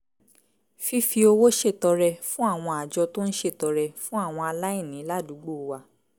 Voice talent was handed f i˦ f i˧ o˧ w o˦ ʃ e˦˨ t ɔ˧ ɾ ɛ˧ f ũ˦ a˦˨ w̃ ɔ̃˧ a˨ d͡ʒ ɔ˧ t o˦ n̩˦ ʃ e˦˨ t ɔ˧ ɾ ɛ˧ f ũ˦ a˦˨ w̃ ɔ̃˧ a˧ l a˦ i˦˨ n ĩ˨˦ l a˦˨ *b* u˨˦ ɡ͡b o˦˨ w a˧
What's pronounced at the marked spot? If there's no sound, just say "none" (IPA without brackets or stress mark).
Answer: d